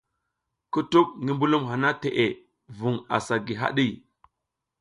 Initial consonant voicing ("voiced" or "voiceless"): voiceless